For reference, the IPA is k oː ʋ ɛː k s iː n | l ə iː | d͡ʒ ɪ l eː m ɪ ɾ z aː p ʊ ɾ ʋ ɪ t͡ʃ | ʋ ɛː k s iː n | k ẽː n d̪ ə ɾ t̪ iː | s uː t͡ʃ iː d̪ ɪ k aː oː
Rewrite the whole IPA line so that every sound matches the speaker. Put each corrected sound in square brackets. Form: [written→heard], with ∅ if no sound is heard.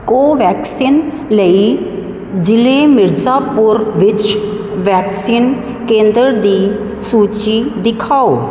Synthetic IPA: k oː ʋ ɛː k s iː n | l ə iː | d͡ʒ ɪ l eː m ɪ ɾ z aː p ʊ ɾ ʋ ɪ t͡ʃ | ʋ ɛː k s iː n | k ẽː n d̪ ə ɾ [t̪→d̪] iː | s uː t͡ʃ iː d̪ ɪ [k→kʰ] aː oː